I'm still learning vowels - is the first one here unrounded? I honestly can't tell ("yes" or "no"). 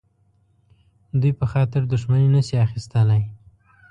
no